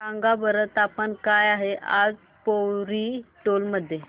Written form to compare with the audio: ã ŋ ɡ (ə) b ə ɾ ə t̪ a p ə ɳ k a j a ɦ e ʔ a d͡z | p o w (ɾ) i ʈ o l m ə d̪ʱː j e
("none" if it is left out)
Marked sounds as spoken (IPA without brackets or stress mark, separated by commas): a, ɾ